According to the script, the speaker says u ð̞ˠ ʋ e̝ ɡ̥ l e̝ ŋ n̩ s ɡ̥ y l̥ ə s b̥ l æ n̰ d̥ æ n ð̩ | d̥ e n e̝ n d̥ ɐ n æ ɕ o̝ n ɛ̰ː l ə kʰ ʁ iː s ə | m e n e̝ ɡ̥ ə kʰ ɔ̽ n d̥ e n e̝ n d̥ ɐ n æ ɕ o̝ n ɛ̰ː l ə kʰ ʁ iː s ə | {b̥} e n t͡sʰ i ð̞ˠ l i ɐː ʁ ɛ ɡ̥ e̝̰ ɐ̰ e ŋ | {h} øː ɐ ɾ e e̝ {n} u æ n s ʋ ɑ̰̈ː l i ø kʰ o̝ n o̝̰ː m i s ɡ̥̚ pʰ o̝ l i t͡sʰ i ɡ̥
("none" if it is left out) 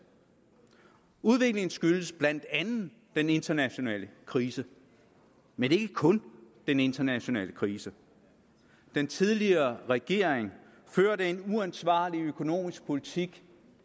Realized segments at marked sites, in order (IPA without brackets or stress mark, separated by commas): d̥, f, n